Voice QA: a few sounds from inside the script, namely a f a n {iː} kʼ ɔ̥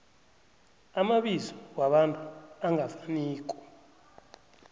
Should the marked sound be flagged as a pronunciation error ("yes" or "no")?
no